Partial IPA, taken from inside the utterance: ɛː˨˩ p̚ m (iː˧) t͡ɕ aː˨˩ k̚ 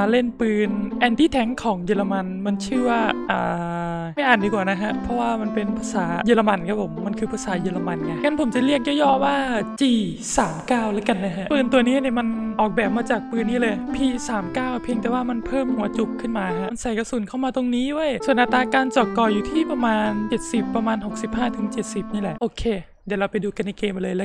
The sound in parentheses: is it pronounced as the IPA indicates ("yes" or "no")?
no